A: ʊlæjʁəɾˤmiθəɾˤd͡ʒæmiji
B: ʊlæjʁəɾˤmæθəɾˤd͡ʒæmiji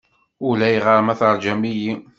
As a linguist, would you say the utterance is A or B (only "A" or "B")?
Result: B